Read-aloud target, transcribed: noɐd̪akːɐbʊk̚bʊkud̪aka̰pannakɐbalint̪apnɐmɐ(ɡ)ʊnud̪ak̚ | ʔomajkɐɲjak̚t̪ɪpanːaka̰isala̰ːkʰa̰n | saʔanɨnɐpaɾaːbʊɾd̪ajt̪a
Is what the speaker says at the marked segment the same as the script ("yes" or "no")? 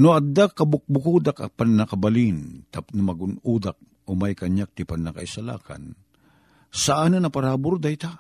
yes